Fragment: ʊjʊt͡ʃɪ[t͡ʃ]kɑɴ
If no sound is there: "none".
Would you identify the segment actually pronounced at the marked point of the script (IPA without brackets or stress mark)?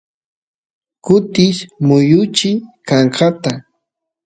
none